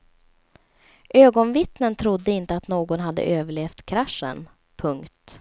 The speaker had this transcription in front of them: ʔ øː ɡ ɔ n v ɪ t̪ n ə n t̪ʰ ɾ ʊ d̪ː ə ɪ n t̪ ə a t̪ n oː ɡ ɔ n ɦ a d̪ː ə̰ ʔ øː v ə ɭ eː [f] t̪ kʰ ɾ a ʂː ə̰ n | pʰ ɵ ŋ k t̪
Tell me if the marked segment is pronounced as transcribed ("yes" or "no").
yes